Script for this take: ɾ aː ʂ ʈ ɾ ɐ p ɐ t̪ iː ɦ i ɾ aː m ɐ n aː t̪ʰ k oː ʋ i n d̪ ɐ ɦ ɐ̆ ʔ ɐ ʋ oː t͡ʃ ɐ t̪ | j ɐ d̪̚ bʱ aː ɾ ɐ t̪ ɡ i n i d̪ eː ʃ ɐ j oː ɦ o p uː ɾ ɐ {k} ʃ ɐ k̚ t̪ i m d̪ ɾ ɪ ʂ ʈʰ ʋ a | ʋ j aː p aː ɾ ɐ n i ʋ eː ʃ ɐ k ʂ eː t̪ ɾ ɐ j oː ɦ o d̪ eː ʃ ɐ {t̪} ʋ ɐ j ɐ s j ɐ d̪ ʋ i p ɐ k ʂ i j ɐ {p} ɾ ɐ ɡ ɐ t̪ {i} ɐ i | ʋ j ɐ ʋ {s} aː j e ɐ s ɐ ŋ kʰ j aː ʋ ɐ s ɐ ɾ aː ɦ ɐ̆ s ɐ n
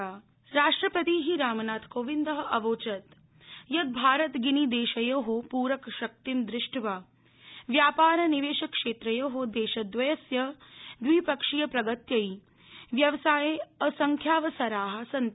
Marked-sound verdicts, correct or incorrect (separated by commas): correct, incorrect, correct, incorrect, correct